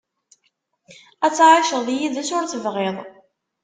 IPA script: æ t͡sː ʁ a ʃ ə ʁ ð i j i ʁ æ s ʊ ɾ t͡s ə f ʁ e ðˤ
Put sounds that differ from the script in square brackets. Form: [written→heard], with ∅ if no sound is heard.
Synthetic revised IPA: æ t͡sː [ʁ→ʕ] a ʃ ə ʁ ð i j i [ʁ→ð] æ s ʊ ɾ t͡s ə [f→v] ʁ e ðˤ

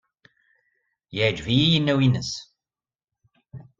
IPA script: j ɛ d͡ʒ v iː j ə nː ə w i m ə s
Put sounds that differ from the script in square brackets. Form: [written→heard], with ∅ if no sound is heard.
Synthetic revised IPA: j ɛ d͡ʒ v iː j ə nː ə w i [m→n] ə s

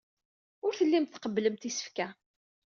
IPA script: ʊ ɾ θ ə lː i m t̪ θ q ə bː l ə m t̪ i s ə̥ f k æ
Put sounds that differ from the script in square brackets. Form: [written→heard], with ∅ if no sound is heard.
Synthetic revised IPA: ʊ ɾ θ ə lː i m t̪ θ q ə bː l ə m t̪ i s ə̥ f k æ

